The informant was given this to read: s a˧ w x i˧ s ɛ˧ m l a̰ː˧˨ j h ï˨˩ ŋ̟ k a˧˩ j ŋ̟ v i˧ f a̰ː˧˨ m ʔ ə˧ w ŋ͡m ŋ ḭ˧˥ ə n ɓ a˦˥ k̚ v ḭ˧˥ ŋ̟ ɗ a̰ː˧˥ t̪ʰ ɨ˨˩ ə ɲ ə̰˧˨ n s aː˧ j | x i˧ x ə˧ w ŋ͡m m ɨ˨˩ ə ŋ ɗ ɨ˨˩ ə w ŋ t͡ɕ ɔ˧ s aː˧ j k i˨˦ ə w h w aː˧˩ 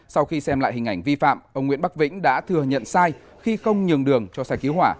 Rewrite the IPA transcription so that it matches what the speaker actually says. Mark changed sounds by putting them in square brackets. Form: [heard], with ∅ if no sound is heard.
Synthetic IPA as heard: s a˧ w x i˧ s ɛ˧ m l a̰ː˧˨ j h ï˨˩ ŋ̟ [ʔ] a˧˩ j ŋ̟ v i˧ f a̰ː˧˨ m ʔ ə˧ w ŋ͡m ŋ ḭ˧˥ ə n ɓ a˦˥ k̚ v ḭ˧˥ ŋ̟ ɗ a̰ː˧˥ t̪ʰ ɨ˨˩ ə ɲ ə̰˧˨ n s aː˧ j | x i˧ x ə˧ w ŋ͡m [ɲ] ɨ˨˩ ə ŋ ɗ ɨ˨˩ ə [∅] ŋ t͡ɕ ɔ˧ s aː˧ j k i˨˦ ə w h w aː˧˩